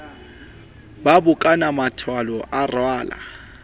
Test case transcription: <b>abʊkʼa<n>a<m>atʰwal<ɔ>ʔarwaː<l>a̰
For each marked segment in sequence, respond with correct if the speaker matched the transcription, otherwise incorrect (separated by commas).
correct, correct, correct, correct, correct